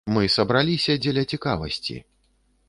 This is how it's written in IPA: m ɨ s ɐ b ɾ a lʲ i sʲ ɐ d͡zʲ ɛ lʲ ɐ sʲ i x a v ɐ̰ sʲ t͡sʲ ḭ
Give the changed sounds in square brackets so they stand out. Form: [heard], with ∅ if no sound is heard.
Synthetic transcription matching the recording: m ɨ s ɐ b ɾ a lʲ i sʲ ɐ d͡zʲ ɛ lʲ ɐ [t͡sʲ] i [k] a v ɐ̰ sʲ t͡sʲ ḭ